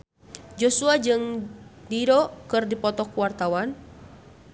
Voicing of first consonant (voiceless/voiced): voiced